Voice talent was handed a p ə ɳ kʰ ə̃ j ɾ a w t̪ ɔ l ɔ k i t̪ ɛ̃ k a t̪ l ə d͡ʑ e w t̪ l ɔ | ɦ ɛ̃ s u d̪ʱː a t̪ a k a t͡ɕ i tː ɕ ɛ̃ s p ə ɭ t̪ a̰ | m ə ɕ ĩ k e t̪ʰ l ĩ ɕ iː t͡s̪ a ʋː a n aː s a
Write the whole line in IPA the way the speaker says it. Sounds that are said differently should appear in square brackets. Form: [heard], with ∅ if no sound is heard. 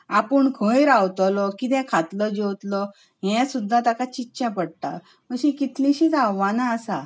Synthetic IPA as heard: a p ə ɳ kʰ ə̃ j ɾ a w t̪ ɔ l ɔ k i t̪ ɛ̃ [kʰ] a t̪ l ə d͡ʑ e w t̪ l ɔ | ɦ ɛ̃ s u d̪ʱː a t̪ a k a t͡ɕ i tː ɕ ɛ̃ [∅] p ə [ɽ] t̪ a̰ | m ə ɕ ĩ k [i] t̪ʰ l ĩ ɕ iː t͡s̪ a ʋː a n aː s a